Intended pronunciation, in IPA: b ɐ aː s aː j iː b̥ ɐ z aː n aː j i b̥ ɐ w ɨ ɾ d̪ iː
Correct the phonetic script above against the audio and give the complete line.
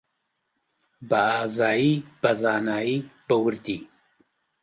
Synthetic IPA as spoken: b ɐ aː z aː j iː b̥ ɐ z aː n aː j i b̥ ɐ w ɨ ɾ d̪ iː